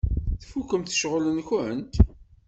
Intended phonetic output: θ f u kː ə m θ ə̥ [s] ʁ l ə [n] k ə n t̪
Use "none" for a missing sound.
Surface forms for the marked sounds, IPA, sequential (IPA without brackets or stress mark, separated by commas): ʃ, n